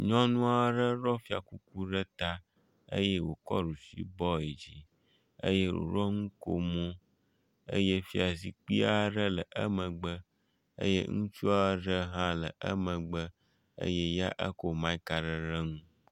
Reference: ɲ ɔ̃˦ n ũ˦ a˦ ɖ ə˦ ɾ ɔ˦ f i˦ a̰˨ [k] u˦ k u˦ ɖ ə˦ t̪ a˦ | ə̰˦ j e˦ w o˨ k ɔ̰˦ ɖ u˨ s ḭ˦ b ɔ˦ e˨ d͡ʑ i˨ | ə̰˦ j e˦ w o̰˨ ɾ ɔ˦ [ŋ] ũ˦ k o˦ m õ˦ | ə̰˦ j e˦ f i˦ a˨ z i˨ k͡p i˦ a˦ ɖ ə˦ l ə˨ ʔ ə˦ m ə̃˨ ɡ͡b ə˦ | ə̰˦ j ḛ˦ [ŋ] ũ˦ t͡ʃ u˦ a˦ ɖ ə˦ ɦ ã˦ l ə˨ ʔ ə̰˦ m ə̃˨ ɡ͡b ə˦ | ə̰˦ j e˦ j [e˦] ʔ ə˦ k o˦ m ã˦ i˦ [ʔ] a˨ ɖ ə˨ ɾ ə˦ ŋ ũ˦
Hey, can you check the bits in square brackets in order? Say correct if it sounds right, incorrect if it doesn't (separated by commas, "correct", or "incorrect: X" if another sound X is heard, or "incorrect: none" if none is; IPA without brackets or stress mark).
correct, correct, correct, incorrect: a˦, incorrect: k